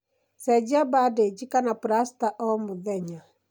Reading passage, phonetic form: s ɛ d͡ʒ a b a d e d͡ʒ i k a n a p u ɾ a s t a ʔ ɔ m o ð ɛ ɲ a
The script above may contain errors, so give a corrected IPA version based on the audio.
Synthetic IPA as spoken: s ɛ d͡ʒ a b a d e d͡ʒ i k a n a p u ɾ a s t a ʔ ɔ m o ð ɛ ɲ a